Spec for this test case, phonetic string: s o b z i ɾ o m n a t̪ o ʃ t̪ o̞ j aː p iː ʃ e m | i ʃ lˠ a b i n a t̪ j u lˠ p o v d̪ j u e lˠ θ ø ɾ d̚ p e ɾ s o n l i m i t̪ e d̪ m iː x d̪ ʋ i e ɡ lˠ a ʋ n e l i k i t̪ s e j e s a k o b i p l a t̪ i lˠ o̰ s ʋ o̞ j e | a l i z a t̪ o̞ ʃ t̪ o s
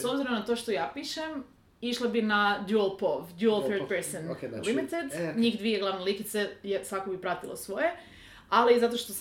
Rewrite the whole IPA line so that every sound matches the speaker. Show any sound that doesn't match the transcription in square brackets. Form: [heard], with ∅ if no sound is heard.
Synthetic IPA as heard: s o b z i ɾ o m n a t̪ o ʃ t̪ o̞ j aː p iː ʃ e m | i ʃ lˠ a b i n a [d̪] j u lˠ p o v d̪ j u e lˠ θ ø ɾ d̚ p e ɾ s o n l i m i t̪ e d̪ [ɲ] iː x d̪ ʋ i e ɡ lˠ a ʋ n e l i k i t̪ s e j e s a k o b i p [ɾ] a t̪ i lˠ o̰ s ʋ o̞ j e | a l i z a t̪ o̞ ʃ t̪ o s